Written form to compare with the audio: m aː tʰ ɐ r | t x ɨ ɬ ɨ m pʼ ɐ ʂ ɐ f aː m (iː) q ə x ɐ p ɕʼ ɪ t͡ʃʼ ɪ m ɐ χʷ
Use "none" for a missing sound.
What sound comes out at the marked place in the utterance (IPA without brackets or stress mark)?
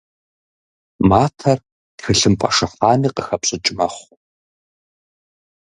iː